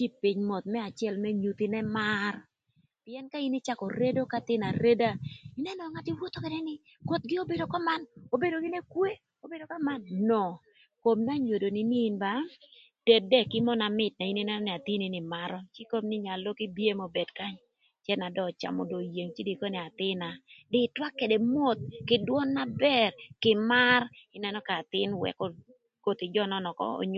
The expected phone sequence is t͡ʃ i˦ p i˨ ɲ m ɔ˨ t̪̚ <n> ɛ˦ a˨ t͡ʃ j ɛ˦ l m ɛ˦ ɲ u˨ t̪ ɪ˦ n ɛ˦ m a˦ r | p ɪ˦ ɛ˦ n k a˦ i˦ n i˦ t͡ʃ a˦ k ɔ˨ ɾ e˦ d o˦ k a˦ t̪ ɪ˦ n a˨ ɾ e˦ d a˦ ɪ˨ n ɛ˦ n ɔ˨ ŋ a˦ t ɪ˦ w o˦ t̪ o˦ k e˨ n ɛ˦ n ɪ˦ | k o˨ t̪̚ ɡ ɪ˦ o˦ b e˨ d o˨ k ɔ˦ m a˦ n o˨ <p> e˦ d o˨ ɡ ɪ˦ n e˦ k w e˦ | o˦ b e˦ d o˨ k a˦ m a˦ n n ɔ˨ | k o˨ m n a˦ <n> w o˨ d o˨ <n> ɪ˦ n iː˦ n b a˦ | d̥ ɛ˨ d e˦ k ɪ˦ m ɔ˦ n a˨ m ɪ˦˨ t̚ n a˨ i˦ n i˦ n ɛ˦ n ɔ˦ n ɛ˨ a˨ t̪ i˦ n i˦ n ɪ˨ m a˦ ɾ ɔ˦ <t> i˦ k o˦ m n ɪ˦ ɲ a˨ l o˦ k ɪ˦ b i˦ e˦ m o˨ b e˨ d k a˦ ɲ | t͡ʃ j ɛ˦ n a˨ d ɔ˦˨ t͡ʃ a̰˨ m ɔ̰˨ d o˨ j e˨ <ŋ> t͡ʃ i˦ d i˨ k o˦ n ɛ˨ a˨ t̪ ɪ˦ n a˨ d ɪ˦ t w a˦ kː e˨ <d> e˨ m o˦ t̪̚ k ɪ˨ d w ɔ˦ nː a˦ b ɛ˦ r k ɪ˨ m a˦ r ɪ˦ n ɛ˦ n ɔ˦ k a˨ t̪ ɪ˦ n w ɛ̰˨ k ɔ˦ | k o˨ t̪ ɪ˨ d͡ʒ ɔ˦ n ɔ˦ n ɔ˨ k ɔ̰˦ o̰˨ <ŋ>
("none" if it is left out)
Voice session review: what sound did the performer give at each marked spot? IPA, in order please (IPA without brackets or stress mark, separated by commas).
m, b, ɲ, n, t͡ʃ, ŋ, d, ɲ